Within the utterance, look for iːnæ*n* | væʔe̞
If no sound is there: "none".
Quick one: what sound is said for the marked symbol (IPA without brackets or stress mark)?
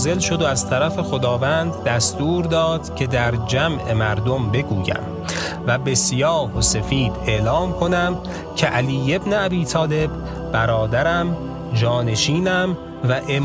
m